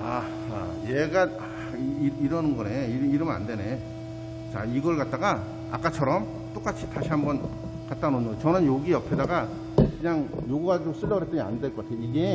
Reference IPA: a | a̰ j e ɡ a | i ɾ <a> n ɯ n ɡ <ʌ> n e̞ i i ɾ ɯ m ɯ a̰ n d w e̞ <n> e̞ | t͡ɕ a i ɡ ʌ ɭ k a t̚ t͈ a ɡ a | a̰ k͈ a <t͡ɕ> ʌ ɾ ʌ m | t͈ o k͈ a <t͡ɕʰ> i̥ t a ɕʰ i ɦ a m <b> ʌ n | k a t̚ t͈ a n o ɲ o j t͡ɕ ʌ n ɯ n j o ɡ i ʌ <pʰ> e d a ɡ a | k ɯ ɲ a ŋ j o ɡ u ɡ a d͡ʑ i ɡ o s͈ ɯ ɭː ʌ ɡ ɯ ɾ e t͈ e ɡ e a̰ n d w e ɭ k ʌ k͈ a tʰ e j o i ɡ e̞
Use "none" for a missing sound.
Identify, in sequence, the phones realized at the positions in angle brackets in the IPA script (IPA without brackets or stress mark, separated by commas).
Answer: ʌ, ʌ, n, t͡ɕʰ, t͡ɕʰ, b, pʰ